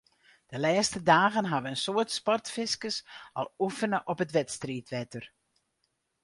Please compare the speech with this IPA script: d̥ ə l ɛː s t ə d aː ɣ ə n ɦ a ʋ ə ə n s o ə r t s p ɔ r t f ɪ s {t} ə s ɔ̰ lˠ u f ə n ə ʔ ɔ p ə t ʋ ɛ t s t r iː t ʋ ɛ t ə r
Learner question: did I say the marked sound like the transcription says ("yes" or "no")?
no